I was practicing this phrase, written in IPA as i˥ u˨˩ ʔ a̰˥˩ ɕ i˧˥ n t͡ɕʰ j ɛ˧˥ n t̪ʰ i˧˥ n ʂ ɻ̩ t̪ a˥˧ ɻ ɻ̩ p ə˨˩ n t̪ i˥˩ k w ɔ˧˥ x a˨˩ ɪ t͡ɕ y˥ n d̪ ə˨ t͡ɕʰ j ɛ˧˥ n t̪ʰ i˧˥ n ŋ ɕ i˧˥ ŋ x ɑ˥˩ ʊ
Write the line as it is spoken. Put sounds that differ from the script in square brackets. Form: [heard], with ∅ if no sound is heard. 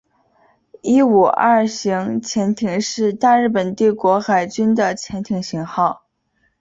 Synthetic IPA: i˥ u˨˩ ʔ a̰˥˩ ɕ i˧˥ [ŋ] t͡ɕʰ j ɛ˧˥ n t̪ʰ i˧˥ [ŋ] ʂ ɻ̩ t̪ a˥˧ ɻ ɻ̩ p ə˨˩ n t̪ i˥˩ k w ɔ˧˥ x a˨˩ ɪ t͡ɕ y˥ n d̪ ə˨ t͡ɕʰ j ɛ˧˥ n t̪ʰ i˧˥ [∅] ŋ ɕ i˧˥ ŋ x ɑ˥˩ ʊ